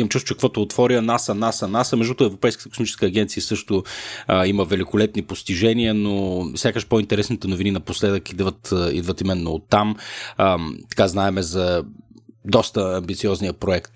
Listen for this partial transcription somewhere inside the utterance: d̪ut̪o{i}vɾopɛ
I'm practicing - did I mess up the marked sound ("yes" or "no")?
yes